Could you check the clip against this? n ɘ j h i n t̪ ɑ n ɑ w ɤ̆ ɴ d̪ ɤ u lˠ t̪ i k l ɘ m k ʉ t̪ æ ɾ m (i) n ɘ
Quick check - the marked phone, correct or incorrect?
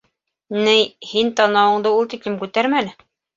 incorrect